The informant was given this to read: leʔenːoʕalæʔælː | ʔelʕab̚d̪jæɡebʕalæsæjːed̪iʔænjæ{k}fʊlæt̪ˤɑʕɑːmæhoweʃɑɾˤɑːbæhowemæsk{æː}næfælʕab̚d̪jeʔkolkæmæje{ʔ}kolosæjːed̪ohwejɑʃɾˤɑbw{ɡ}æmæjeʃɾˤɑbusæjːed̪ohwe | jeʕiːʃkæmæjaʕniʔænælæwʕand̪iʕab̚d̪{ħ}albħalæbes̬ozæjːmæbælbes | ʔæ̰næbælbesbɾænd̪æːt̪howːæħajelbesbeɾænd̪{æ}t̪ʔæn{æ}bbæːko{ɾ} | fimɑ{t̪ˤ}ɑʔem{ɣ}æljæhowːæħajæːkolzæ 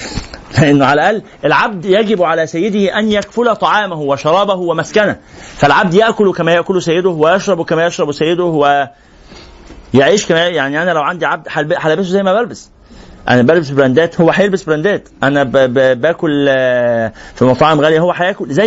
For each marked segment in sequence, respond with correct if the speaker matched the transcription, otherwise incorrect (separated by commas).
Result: correct, incorrect, correct, incorrect, correct, incorrect, correct, incorrect, correct, correct